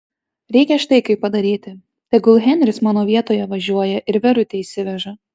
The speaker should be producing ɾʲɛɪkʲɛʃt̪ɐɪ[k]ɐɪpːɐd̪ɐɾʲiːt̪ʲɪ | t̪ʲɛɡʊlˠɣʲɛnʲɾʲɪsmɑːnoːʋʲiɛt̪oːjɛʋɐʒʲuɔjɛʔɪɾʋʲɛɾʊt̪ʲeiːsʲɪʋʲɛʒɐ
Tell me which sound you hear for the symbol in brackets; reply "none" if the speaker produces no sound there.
k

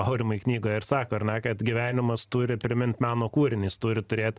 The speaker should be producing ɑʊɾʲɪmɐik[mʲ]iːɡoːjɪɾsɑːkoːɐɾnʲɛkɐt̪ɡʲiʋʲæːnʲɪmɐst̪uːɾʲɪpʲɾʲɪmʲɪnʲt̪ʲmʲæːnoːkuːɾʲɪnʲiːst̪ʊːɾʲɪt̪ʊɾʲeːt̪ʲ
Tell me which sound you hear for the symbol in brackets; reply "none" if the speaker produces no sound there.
nʲ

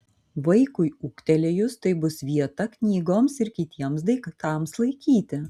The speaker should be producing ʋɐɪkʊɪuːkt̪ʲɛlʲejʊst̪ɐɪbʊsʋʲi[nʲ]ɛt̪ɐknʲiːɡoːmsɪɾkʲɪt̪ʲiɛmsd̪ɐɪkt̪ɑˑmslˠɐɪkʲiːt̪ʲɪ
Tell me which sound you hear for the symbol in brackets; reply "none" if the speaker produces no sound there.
none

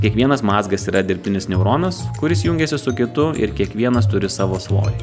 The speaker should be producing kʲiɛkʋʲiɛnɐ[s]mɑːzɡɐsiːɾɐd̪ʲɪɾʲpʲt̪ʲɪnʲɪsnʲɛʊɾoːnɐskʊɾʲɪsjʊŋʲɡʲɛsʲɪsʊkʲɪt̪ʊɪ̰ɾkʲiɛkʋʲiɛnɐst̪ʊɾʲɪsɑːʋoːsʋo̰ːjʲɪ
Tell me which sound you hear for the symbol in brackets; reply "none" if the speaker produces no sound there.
s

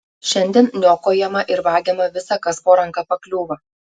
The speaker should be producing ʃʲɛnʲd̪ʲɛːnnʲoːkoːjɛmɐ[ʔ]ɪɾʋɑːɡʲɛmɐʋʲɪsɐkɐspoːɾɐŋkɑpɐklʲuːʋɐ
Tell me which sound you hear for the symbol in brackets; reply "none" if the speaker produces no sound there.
ʔ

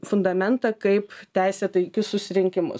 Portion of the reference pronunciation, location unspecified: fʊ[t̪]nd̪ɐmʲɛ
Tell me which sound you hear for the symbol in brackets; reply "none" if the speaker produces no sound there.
none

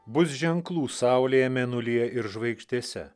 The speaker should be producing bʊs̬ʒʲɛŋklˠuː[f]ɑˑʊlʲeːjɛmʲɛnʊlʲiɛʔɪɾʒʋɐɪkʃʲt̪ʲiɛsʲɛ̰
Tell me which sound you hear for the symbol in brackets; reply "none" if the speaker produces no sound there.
s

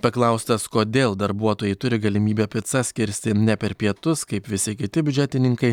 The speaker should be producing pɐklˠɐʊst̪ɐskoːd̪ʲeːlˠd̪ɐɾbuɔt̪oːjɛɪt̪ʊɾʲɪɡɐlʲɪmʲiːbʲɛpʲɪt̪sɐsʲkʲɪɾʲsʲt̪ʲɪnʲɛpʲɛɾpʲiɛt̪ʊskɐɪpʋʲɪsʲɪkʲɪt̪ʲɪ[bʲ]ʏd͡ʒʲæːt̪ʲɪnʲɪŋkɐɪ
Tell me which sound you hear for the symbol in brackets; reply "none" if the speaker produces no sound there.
bʲ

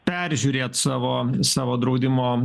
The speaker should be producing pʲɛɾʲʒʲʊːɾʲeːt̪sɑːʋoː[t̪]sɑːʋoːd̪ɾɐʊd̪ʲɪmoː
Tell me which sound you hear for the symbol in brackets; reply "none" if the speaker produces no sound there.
none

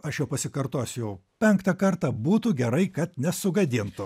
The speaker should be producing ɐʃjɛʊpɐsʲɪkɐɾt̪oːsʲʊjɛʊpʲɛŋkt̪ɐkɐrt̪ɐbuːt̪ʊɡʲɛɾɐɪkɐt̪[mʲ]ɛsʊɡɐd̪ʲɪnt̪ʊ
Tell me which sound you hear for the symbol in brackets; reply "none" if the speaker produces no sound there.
nʲ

